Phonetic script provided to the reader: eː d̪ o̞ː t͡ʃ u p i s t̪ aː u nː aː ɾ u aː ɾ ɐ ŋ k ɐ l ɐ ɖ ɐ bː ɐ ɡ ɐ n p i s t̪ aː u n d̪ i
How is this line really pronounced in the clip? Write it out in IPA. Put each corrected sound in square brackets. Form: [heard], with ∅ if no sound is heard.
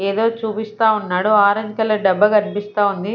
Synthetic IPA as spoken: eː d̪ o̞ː t͡ʃ [uː] p i s t̪ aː u nː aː [ɽ] u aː ɾ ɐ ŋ k ɐ l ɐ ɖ ɐ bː ɐ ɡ ɐ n p i s t̪ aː u n d̪ i